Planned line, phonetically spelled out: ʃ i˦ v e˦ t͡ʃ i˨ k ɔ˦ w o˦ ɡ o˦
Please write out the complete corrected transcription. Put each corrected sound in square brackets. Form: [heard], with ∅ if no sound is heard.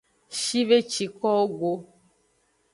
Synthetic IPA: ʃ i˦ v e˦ t͡ʃ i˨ k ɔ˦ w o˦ ɡ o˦

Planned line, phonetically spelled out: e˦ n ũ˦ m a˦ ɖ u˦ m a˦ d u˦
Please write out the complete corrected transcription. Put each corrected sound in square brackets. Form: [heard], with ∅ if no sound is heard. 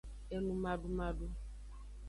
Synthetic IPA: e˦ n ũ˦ m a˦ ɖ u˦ m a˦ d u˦

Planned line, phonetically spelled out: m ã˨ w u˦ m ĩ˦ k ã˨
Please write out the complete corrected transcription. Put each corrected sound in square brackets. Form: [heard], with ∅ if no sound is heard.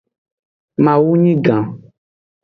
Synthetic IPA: m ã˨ w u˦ [ɲ] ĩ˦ [ɡ] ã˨

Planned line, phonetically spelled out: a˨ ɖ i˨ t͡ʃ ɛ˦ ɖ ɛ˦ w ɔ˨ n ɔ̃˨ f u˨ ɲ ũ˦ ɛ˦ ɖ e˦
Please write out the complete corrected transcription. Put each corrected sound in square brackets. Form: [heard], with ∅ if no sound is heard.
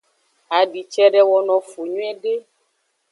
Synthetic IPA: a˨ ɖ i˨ t͡ʃ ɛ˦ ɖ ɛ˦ w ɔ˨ n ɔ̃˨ f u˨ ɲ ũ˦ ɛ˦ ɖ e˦

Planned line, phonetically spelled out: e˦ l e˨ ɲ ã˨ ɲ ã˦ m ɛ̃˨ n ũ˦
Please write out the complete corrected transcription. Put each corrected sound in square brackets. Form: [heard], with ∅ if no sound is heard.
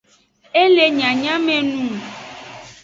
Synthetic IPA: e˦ l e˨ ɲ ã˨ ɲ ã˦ m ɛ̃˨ n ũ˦

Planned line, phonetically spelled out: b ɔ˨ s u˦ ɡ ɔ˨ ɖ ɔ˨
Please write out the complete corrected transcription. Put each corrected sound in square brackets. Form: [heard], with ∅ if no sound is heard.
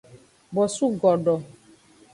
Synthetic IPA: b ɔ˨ s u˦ ɡ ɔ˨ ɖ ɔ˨

